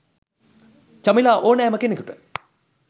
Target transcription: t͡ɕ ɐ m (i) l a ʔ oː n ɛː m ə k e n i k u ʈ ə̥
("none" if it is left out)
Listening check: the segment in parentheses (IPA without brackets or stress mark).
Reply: i